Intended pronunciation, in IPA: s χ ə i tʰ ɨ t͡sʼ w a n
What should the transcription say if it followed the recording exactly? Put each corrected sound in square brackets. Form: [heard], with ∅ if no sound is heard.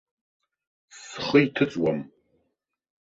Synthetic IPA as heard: s χ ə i tʰ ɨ t͡sʼ w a [m]